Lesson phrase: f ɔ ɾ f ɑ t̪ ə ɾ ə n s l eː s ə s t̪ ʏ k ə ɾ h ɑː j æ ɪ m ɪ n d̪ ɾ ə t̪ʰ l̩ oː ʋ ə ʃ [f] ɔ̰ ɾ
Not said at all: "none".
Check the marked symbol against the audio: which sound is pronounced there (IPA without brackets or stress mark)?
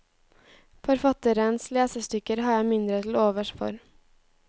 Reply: f